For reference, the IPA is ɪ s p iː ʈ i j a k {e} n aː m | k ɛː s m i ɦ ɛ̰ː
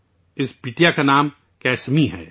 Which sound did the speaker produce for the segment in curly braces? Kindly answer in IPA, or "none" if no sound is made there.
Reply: a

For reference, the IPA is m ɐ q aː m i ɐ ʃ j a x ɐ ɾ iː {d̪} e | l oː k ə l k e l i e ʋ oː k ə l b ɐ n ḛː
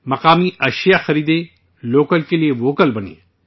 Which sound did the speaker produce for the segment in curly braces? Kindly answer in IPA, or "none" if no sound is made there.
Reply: d̪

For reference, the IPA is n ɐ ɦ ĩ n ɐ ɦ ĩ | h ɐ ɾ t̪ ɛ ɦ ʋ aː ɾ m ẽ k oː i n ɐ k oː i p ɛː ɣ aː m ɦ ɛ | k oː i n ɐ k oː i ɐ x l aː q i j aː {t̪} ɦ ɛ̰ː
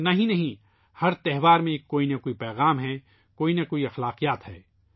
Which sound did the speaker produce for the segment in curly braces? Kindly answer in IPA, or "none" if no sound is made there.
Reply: t̪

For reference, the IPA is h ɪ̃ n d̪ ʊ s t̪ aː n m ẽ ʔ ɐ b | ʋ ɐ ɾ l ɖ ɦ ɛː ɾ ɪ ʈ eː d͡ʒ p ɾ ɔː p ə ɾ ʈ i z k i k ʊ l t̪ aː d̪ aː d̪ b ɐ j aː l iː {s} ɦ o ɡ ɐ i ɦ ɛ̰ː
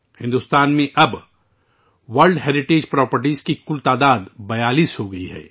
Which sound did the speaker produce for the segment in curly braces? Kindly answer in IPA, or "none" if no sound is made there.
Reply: s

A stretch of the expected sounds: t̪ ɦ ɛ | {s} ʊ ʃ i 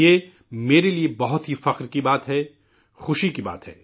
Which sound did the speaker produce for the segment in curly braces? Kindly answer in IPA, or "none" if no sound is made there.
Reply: x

